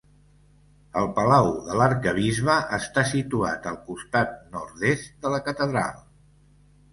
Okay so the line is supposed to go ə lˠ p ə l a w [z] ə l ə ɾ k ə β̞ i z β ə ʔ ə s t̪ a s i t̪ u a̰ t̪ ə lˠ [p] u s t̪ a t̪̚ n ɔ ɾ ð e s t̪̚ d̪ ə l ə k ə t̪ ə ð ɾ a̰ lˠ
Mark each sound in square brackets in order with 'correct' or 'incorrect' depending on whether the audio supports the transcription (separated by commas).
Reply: incorrect, incorrect